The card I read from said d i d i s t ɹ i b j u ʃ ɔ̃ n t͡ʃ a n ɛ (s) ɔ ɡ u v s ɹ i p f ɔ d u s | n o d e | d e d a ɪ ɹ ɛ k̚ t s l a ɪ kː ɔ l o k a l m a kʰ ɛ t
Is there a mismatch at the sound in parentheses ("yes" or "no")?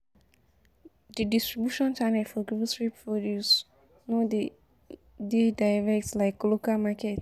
yes